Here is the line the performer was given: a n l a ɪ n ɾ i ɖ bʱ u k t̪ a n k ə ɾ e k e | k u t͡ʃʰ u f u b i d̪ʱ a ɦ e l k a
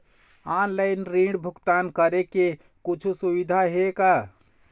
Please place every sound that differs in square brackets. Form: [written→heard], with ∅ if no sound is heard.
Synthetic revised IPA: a n l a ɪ n ɾ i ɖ bʱ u k t̪ a n k ə ɾ e k e | k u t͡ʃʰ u [f→s] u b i d̪ʱ a ɦ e [l→∅] k a